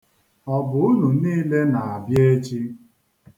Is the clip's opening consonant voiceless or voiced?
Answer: voiced